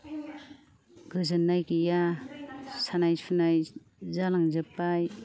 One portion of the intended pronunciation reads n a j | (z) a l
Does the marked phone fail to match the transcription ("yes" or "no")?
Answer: no